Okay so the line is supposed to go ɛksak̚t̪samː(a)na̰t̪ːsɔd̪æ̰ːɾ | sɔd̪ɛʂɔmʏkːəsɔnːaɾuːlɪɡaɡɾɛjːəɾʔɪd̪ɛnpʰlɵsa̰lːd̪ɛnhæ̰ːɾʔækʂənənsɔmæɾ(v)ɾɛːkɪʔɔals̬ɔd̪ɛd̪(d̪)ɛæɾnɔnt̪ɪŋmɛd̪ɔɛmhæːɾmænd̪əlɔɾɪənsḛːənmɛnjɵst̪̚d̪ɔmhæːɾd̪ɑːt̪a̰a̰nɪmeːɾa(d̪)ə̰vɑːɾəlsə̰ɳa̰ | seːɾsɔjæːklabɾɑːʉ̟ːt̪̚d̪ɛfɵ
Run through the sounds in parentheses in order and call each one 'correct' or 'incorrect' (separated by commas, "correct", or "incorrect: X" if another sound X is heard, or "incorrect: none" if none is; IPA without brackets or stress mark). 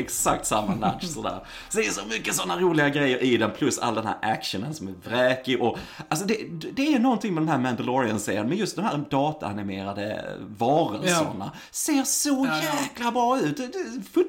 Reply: correct, correct, correct, correct